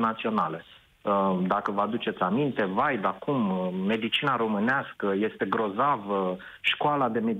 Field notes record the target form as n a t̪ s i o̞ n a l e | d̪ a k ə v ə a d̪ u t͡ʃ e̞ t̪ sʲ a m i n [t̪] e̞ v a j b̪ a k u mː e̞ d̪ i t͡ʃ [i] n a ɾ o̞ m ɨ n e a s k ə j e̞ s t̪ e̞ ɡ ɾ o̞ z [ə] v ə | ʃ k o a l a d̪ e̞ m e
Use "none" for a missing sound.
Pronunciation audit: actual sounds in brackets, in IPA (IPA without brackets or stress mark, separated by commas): t̪, i, a